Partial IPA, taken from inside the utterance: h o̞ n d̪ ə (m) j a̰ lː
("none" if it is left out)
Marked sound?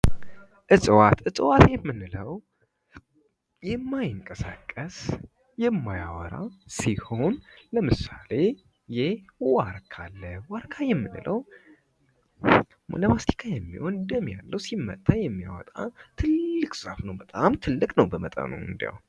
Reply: m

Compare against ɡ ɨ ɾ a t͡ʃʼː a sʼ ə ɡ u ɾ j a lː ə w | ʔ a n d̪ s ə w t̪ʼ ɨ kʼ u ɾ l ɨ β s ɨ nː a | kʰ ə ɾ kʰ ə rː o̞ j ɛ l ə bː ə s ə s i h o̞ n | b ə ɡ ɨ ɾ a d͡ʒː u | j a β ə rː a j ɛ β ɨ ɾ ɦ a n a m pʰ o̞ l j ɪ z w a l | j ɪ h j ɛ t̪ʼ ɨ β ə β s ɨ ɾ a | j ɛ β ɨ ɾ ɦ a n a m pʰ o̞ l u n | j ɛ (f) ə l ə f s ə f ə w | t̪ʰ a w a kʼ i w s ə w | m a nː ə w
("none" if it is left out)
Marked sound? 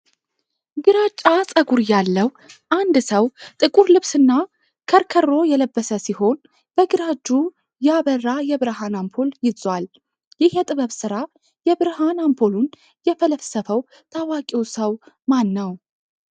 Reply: f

